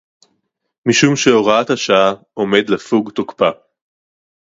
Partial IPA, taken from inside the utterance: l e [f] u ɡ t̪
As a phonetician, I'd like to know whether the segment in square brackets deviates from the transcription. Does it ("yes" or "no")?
no